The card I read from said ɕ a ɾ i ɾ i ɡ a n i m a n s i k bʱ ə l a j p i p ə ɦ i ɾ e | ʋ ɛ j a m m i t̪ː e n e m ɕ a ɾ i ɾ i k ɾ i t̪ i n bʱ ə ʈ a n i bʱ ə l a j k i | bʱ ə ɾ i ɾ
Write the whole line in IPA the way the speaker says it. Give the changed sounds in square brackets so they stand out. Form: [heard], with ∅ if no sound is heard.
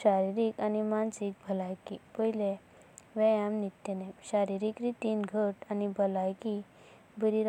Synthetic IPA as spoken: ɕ a ɾ i ɾ i [k] a n i m a n s i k bʱ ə l a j [k] i p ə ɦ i [l] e | ʋ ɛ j a m [n] i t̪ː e n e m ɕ a ɾ i ɾ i k ɾ i t̪ i n [ɡʱ] ə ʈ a n i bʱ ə l a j k i | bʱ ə ɾ i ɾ